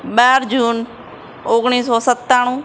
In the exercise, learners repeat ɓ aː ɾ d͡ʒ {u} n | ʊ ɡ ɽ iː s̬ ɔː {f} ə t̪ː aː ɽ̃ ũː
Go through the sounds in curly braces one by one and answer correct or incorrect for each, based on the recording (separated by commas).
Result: incorrect, incorrect